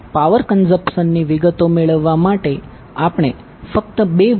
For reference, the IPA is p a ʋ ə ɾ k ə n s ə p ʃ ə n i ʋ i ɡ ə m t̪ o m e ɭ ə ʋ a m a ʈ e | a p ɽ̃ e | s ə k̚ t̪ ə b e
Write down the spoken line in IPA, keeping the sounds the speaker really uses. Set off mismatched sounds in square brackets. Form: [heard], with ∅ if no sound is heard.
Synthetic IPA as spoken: p a ʋ ə ɾ k ə n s ə p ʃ ə [nː] i ʋ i ɡ ə [∅] t̪ o m e ɭ ə [ʋː] a m a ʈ e | a p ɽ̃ e | [f] ə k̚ t̪ ə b e